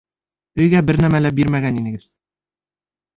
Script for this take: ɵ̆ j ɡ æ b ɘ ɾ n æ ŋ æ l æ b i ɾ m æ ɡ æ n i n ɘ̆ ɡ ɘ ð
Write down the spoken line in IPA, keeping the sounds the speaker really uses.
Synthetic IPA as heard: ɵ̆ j ɡ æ b ɘ ɾ n æ m æ l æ b i ɾ m æ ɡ æ n i n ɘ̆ ɡ ɘ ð